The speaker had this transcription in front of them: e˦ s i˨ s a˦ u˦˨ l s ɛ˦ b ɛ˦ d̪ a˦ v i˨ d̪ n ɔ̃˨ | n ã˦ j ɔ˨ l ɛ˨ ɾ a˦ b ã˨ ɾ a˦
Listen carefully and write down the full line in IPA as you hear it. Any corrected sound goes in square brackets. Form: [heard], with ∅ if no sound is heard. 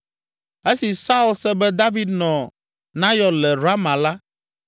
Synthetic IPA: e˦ s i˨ s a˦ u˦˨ l s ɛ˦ b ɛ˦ d̪ a˦ v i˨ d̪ n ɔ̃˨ | n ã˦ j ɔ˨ l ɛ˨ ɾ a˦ [m] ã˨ [l] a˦